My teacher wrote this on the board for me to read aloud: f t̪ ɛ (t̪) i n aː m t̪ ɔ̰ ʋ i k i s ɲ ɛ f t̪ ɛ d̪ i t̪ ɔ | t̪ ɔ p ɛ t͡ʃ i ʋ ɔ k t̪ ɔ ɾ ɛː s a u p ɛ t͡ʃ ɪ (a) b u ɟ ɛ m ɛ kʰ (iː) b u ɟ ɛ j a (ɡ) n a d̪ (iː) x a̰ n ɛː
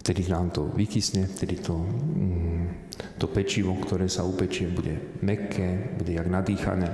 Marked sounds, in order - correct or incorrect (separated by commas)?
incorrect, incorrect, incorrect, correct, correct